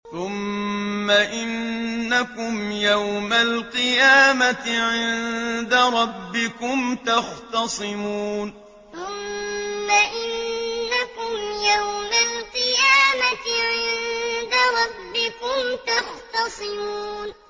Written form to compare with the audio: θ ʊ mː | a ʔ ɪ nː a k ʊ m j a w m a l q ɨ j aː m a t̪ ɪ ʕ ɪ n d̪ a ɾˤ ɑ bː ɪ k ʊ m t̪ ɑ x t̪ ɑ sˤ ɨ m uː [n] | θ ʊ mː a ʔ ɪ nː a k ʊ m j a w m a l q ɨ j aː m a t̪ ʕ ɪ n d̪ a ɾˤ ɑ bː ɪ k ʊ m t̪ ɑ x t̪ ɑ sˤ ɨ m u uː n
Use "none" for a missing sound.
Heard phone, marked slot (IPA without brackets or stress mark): n